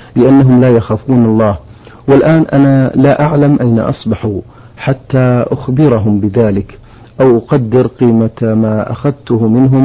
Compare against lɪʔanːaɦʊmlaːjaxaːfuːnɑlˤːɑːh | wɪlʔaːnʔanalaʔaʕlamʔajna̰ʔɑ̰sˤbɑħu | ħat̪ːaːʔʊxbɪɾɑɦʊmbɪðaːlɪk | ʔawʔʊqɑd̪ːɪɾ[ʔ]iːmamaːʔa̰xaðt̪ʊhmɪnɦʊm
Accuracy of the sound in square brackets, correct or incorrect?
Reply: incorrect